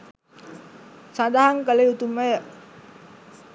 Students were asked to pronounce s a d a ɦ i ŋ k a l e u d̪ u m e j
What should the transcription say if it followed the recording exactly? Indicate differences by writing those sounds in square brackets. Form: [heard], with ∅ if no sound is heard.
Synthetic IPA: s a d a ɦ [a] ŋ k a l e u [t̪] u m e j